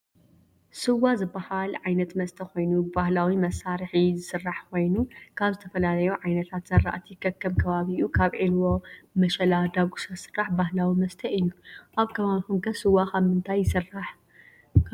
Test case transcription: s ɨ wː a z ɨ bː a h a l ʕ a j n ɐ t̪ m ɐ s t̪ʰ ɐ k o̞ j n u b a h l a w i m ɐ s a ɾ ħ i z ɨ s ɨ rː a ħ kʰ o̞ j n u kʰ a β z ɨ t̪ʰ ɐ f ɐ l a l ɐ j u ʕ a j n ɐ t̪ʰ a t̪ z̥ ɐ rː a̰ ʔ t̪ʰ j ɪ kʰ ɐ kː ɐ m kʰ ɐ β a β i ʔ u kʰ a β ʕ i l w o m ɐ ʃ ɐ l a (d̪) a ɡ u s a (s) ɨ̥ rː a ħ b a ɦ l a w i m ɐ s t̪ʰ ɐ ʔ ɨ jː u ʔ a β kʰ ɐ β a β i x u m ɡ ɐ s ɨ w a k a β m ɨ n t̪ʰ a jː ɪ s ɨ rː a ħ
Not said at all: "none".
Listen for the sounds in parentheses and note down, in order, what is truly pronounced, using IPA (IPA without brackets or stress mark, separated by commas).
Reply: d̪, s